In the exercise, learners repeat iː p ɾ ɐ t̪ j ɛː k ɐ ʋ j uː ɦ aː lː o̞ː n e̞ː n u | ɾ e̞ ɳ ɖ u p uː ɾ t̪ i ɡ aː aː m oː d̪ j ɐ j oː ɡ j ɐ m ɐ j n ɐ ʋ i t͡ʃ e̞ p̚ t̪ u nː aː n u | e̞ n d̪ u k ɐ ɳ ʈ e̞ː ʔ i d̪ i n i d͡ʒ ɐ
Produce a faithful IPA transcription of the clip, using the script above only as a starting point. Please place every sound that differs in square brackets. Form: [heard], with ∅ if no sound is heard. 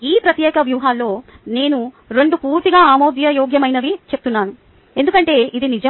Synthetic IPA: iː p ɾ ɐ t̪ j ɛː k ɐ ʋ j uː ɦ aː lː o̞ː n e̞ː n u | ɾ e̞ ɳ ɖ u p uː ɾ t̪ i ɡ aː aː m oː d̪ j ɐ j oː ɡ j ɐ m ɐ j n ɐ ʋ i t͡ʃ e̞ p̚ t̪ u nː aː n u | e̞ n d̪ u k ɐ ɳ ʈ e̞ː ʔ i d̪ i n i d͡ʒ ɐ